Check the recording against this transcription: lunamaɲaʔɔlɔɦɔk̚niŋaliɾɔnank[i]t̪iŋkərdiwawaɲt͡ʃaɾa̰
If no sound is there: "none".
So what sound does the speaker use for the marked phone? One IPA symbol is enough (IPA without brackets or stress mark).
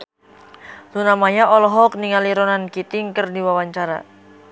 i